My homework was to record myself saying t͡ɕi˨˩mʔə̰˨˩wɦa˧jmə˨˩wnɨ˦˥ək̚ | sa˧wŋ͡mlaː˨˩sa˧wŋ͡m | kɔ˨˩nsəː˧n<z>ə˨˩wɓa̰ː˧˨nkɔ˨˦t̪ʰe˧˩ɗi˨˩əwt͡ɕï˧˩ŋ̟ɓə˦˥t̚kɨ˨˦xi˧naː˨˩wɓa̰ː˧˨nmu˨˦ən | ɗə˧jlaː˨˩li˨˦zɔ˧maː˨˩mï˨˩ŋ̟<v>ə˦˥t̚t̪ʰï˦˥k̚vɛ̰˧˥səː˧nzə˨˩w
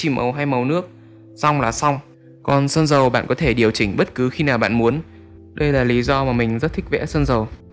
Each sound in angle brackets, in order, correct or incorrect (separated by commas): correct, incorrect